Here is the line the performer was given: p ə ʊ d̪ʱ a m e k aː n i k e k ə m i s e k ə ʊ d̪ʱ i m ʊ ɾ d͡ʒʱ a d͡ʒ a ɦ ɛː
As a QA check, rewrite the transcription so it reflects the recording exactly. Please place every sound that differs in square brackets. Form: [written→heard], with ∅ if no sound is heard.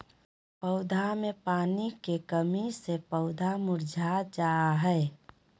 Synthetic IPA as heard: p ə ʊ d̪ʱ a m e [k→p] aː n i k e k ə m i s e [k→p] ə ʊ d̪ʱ [i→a] m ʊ ɾ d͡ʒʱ a d͡ʒ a ɦ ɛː